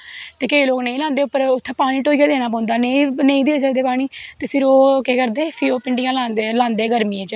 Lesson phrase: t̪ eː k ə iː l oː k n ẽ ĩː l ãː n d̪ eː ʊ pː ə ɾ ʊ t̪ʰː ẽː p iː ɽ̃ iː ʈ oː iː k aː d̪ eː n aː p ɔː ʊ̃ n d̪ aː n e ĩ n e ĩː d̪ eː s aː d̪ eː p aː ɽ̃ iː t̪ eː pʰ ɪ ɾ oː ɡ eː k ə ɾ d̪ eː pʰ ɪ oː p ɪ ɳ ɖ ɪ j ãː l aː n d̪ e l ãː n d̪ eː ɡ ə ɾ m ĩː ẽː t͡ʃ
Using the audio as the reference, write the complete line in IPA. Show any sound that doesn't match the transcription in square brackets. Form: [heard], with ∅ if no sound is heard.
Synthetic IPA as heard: t̪ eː k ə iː l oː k n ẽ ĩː l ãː n d̪ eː ʊ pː ə ɾ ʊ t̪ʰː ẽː p [aː] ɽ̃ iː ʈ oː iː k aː d̪ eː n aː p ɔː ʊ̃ n d̪ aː n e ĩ n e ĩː d̪ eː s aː d̪ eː p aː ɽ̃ iː t̪ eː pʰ ɪ ɾ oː [k] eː k ə ɾ d̪ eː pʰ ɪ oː p ɪ ɳ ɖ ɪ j ãː l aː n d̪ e l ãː n d̪ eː ɡ ə ɾ m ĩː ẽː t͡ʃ

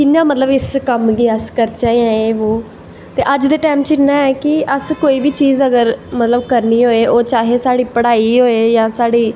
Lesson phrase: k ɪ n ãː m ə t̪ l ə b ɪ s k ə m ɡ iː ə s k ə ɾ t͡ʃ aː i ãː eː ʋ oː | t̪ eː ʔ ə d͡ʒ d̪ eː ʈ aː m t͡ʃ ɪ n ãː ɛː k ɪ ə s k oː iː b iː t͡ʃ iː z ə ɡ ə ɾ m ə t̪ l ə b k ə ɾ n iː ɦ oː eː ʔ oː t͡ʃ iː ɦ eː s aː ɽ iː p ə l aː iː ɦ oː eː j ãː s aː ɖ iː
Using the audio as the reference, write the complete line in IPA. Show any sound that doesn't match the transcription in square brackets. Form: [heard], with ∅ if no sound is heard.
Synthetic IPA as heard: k ɪ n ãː m ə t̪ l ə b ɪ s k ə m ɡ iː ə s k ə ɾ t͡ʃ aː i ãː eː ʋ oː | t̪ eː ʔ ə d͡ʒ d̪ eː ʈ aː m t͡ʃ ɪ n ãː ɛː k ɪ ə s k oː iː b iː t͡ʃ iː z ə ɡ ə ɾ m ə t̪ l ə b k ə ɾ n iː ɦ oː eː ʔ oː t͡ʃ [aː] ɦ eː s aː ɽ iː p ə [ɽ] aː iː ɦ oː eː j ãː s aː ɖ iː

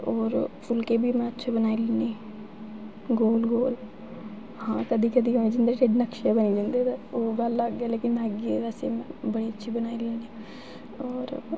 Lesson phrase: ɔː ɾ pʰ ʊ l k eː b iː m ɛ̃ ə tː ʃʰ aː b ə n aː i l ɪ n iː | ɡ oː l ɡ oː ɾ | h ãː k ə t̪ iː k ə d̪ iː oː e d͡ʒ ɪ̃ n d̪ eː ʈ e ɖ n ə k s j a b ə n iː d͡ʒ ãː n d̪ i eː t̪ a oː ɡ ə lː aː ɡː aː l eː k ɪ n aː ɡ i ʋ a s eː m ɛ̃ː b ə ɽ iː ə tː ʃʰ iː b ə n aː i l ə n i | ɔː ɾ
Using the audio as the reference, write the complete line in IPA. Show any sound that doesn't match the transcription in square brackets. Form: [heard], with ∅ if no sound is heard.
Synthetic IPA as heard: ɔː ɾ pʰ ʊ l k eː b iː m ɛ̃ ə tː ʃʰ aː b ə n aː i l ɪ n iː | ɡ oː l ɡ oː [l] | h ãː k ə [d̪] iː k ə d̪ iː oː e d͡ʒ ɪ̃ n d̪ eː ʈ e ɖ n ə k [ʃ] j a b ə n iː d͡ʒ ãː n d̪ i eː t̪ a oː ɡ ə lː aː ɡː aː l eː k ɪ n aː ɡ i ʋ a s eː m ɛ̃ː b ə ɽ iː ə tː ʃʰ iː b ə n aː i l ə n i | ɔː ɾ

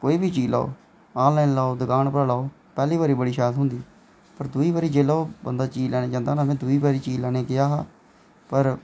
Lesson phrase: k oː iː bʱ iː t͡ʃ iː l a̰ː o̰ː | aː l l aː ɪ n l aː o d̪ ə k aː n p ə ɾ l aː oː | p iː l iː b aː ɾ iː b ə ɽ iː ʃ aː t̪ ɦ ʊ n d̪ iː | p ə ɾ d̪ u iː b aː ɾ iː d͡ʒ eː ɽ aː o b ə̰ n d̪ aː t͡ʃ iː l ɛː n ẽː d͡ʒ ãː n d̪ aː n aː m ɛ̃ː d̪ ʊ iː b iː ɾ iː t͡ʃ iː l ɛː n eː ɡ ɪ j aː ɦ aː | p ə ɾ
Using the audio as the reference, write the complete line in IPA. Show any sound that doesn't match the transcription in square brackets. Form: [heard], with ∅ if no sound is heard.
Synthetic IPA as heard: k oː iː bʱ iː t͡ʃ iː l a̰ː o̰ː | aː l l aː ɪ n l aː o d̪ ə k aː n p ə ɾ l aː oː | p [ɛː] l iː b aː ɾ iː b ə ɽ iː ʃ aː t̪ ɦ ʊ n d̪ iː | p ə ɾ d̪ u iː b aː ɾ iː d͡ʒ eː [l] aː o b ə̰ n d̪ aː t͡ʃ iː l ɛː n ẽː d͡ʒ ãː n d̪ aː n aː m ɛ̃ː d̪ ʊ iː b [aː] ɾ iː t͡ʃ iː l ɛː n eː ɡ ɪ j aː ɦ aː | p ə ɾ

